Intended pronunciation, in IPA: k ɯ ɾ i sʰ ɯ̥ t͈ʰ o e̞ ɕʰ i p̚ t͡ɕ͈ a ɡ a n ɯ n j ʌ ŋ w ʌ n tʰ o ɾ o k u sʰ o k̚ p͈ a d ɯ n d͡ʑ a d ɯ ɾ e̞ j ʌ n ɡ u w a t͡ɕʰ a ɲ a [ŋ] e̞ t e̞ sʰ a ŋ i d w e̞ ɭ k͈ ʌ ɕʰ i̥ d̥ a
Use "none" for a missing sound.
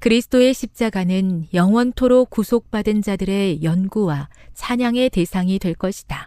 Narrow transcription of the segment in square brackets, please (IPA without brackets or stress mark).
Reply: ŋ